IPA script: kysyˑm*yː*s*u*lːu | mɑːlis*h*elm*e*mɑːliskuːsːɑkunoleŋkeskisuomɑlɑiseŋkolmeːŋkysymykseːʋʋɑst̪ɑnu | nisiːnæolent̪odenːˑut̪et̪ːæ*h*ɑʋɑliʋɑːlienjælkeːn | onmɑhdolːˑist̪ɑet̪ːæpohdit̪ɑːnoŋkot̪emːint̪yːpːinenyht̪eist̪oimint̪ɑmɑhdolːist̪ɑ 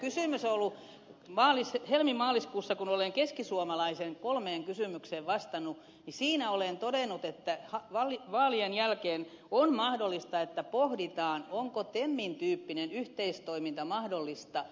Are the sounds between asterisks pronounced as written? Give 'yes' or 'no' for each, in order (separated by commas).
no, no, yes, no, yes